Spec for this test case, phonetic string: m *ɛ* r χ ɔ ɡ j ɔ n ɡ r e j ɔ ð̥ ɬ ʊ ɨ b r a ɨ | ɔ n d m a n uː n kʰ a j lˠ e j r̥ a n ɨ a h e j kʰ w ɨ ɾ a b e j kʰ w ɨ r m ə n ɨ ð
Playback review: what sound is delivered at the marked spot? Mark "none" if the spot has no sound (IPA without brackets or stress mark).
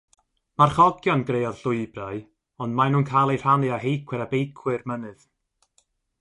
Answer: a